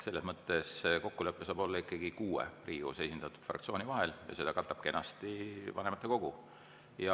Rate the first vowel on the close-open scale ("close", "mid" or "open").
mid